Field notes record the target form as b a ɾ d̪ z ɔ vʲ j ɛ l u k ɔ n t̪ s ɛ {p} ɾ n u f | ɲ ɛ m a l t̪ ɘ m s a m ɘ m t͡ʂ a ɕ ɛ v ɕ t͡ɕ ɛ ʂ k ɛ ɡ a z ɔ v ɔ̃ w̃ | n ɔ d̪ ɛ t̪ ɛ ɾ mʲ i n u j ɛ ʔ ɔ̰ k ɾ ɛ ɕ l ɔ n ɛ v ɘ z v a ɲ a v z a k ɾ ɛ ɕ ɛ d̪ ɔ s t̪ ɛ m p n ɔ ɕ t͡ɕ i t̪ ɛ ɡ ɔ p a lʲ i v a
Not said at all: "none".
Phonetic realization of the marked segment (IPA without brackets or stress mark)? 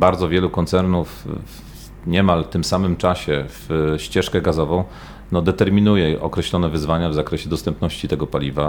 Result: none